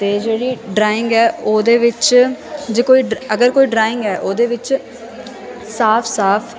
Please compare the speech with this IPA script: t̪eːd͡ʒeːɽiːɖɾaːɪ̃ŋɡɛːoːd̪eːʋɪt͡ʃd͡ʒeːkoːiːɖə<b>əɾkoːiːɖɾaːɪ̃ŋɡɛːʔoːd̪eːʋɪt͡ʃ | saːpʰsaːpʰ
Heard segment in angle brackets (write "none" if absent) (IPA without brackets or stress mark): ɡ